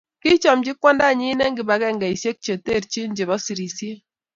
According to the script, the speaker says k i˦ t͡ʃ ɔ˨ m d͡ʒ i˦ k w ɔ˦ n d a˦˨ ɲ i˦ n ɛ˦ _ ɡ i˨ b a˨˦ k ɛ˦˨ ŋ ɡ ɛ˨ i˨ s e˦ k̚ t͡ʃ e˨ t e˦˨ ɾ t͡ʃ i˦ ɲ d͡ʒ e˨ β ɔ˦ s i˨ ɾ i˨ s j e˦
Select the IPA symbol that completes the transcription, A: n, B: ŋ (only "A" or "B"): B